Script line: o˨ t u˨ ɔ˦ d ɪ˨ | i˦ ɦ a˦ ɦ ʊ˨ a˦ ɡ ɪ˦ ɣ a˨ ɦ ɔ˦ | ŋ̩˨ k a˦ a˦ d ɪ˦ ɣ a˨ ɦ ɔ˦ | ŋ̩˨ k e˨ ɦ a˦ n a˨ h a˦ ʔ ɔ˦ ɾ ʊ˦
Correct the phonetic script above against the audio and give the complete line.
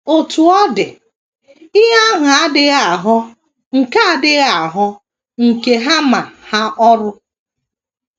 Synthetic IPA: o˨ t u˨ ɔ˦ d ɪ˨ | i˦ ɦ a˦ ɦ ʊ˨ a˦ d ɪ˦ ɣ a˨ ɦ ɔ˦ | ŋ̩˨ k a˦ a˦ d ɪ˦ ɣ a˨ ɦ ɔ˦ | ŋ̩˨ k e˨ ɦ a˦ m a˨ h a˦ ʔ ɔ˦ ɾ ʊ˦

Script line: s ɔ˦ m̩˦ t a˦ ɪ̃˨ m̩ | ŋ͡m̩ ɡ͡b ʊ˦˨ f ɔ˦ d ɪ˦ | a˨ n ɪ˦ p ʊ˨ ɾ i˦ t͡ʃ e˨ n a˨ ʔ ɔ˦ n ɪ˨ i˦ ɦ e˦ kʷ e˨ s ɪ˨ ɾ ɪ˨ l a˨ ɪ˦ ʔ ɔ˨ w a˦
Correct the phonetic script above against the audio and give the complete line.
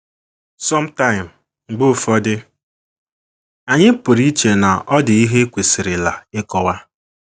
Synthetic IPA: s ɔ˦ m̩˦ t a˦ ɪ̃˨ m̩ | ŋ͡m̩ ɡ͡b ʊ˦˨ f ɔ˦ d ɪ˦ | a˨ ɲ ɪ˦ p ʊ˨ ɾ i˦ t͡ʃ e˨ n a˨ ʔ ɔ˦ d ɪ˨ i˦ ɦ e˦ kʷ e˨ s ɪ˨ ɾ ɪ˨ l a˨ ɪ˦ k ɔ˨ w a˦

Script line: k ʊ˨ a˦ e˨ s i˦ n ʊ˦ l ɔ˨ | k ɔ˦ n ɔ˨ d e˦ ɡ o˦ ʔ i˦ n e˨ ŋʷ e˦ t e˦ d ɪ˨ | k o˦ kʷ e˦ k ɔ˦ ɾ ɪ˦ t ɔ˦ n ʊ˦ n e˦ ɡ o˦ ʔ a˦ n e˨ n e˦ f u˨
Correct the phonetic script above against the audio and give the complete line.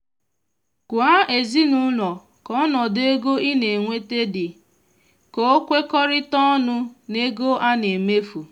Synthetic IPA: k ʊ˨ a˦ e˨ z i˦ n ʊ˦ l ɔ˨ | k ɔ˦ n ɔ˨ d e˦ ɡ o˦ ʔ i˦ n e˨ ŋʷ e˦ t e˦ d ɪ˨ | k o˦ kʷ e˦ k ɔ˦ ɾ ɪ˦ t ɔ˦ n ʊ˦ n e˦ ɡ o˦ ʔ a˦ n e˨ m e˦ f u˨

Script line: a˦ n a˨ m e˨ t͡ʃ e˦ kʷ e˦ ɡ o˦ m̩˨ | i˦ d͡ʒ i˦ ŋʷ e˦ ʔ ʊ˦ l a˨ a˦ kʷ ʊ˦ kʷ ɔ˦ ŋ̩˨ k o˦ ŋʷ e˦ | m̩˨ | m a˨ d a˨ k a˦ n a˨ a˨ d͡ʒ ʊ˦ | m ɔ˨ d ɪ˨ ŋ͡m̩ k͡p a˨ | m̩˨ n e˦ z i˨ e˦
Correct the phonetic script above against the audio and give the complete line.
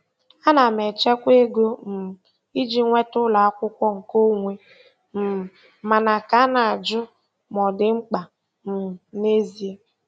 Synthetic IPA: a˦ n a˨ m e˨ t͡ʃ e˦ kʷ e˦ ɡ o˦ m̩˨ | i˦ d͡ʒ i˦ ŋʷ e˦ t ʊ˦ l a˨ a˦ kʷ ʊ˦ kʷ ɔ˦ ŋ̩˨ k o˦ ŋʷ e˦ | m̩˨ | m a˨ n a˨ k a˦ n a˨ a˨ d͡ʒ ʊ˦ | m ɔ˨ d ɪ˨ ŋ͡m̩ k͡p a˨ | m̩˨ n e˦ z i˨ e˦

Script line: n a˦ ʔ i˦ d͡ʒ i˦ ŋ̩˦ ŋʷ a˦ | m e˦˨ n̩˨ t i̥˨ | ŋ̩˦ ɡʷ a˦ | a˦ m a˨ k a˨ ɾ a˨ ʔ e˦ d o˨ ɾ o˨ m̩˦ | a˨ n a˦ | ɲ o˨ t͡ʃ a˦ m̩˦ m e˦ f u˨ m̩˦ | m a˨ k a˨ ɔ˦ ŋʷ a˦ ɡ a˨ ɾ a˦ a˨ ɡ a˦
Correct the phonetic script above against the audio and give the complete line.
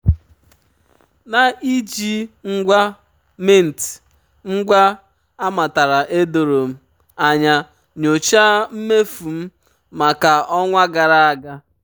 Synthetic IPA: n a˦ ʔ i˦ d͡ʒ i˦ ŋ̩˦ ɡʷ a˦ | m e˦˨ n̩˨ t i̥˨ | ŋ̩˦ ɡʷ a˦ | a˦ m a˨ t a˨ ɾ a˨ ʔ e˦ d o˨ ɾ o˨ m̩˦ | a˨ ɲ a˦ | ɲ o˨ t͡ʃ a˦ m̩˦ m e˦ f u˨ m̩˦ | m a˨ k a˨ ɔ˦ ŋʷ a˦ ɡ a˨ ɾ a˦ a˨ ɡ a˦

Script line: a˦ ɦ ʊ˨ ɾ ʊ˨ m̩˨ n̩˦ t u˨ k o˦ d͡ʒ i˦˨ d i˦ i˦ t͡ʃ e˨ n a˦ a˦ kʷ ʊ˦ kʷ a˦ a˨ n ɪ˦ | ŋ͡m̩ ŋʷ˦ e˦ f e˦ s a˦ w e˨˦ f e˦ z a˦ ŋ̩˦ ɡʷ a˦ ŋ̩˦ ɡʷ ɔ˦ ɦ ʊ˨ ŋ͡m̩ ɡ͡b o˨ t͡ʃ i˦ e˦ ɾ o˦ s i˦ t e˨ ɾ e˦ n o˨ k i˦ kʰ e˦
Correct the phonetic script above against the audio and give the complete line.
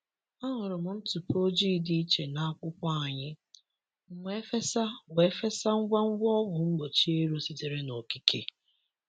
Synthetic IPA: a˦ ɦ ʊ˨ ɾ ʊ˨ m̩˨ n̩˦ t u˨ p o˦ d͡ʒ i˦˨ d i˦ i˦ t͡ʃ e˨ n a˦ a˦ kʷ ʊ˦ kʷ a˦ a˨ ɲ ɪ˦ | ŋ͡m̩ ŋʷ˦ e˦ f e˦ s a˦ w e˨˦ f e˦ s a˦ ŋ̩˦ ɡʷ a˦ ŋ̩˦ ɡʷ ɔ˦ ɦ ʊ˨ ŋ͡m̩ ɡ͡b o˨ t͡ʃ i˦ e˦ ɾ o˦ s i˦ t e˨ ɾ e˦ n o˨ k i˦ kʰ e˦

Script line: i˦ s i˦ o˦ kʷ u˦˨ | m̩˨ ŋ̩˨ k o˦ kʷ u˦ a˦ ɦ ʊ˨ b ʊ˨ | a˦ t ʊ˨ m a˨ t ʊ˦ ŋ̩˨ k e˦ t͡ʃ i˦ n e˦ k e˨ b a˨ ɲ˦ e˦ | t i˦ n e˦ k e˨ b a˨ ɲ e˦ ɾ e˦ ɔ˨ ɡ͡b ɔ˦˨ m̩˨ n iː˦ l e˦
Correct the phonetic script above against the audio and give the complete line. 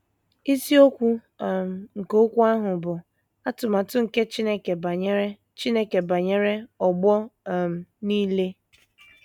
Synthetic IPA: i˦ s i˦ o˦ kʷ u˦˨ | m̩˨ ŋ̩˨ k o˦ kʷ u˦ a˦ ɦ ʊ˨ b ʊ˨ | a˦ t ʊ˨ m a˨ t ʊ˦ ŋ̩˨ k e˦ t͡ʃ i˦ n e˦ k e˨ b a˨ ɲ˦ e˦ | t͡ʃ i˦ n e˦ k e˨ b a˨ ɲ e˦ ɾ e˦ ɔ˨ ɡ͡b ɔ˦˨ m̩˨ n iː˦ l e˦

